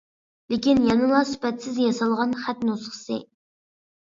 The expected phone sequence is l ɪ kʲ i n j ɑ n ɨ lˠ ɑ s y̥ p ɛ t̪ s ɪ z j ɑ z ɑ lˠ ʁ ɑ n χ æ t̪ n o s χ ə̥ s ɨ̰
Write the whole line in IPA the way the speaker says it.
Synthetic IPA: l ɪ kʲ i n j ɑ n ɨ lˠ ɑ s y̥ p ɛ t̪ s ɪ z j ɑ s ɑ lˠ ʁ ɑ n χ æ t̪ n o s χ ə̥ s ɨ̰